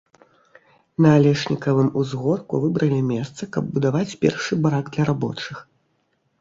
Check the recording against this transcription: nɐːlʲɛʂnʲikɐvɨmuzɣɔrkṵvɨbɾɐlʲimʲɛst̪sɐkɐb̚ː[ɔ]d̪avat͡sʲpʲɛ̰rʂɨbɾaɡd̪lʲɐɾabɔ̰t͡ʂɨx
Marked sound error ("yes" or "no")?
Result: yes